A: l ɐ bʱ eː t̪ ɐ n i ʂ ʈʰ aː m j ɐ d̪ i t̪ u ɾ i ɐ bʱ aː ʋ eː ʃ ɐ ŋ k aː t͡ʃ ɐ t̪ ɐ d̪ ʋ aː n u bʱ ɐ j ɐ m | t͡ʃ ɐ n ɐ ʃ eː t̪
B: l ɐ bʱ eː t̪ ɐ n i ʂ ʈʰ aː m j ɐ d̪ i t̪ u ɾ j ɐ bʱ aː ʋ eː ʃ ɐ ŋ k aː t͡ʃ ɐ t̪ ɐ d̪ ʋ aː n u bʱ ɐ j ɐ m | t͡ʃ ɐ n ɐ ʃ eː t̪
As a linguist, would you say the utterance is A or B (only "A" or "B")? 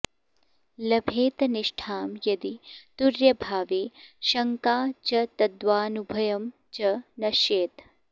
B